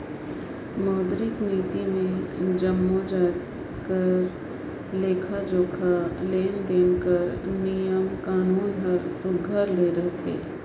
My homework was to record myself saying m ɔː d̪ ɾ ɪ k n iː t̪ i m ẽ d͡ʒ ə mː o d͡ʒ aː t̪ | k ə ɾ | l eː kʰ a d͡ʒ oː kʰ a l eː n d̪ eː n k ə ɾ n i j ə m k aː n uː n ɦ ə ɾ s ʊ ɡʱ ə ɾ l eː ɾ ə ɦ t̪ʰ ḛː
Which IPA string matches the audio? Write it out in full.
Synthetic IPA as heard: m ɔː d̪ ɾ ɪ k n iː t̪ i m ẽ d͡ʒ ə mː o d͡ʒ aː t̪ | k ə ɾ | l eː kʰ a d͡ʒ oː kʰ a l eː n d̪ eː n k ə ɾ n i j ə m k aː n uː n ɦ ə ɾ s ʊ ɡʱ ə ɾ l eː ɾ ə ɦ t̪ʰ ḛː